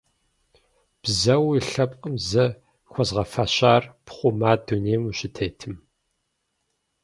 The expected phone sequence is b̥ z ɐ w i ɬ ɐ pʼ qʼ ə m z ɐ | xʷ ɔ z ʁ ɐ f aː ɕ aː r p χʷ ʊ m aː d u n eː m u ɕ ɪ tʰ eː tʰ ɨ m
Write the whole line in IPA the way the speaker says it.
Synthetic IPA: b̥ z ɐ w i ɬ ɐ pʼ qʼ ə m z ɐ | xʷ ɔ z ʁ ɐ f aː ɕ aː r p χʷ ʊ m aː d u n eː m u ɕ ɪ tʰ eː tʰ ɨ m